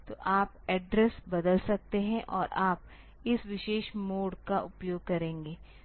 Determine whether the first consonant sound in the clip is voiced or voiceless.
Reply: voiceless